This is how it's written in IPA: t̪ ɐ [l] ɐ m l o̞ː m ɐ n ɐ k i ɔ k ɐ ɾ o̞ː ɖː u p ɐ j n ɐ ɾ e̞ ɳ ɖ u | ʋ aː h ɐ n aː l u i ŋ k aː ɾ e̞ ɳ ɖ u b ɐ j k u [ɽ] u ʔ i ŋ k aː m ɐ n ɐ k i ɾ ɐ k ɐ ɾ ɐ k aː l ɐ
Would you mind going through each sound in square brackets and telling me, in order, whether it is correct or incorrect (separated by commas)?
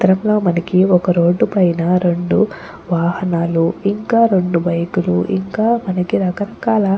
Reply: incorrect, incorrect